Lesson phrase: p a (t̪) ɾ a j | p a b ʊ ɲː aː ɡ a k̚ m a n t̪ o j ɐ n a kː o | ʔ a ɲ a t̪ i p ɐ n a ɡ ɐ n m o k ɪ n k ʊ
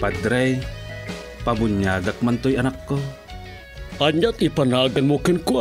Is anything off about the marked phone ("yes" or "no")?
yes